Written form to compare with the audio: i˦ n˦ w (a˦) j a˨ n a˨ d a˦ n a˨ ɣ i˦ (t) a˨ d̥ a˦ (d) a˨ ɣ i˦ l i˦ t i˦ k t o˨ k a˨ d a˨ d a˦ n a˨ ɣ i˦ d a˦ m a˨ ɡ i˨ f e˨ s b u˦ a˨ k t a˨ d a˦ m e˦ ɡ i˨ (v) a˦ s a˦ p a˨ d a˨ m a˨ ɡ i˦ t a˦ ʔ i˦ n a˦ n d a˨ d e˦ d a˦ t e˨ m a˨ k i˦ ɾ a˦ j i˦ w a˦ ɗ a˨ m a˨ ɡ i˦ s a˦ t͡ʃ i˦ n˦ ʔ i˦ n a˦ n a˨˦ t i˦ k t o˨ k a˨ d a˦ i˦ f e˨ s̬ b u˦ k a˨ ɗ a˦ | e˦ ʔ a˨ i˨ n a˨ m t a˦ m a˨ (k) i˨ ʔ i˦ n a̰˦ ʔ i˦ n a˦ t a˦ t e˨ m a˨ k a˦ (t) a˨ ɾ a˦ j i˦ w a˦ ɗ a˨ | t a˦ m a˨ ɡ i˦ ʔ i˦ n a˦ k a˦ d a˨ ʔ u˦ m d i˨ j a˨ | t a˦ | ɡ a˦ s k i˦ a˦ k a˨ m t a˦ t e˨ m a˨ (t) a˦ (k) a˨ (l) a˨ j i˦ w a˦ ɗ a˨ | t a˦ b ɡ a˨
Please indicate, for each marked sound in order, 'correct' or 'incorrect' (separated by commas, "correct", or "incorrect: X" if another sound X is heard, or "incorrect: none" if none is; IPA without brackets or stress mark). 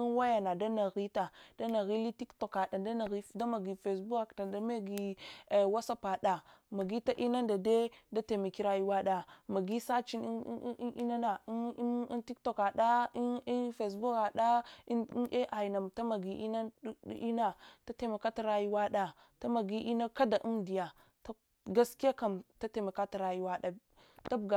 correct, correct, incorrect: n, incorrect: w, incorrect: ɡ, correct, incorrect: k, incorrect: t, incorrect: ɾ